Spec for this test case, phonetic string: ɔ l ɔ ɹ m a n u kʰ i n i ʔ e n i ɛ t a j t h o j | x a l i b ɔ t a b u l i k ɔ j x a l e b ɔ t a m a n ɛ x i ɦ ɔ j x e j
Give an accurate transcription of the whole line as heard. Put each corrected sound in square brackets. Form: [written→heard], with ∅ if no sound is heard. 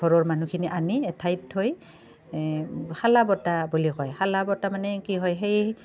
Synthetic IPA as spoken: ɔ [l→ɹ] ɔ ɹ m a n u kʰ i n i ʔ [e→a] n i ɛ [t→tʰ] a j t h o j | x a l [i→a] b ɔ t a b u l i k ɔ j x a l [e→a] b ɔ t a m a n ɛ [x→k] i ɦ ɔ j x e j